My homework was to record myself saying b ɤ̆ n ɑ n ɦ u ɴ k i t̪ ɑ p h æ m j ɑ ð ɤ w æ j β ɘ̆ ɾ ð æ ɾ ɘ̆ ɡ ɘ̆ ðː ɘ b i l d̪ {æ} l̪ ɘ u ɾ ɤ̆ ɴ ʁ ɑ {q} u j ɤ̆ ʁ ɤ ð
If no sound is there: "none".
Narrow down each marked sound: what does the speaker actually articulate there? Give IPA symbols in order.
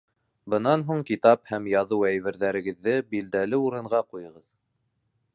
æ, q

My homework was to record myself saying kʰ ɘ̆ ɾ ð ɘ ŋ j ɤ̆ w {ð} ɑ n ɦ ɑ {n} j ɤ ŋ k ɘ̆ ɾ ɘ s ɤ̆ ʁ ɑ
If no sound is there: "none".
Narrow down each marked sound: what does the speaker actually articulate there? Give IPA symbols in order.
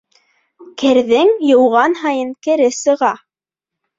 ʁ, none

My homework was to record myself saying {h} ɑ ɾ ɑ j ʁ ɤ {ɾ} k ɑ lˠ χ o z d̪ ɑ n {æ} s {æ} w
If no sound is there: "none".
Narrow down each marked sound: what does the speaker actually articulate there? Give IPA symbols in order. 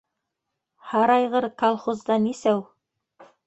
h, ɾ, i, æ

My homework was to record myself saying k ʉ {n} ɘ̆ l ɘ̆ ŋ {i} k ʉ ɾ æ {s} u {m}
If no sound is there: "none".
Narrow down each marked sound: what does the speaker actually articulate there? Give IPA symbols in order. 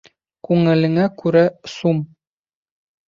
ŋ, æ, s, m

